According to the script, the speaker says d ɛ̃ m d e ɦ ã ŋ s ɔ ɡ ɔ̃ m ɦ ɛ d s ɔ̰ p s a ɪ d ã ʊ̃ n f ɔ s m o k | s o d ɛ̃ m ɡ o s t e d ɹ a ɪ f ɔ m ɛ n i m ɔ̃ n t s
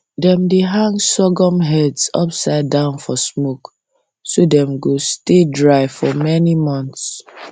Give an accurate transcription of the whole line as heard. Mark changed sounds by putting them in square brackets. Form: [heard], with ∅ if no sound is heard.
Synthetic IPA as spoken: d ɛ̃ m d e ɦ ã ŋ s ɔ ɡ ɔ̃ m ɦ ɛ d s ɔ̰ p s a ɪ d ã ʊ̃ n f ɔ s m o k | s o d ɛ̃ m ɡ o s t e d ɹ a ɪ f ɔ m ɛ n i m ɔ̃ n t s